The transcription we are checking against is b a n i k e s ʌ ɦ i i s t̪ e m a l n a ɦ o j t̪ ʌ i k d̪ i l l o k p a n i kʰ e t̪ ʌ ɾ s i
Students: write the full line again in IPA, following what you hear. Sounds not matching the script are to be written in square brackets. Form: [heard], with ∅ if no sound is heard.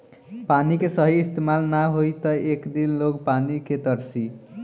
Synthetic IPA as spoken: [p] a n i k e s ʌ ɦ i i s t̪ e m a l n a ɦ o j t̪ ʌ [e] k d̪ i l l o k p a n i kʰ e t̪ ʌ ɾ s i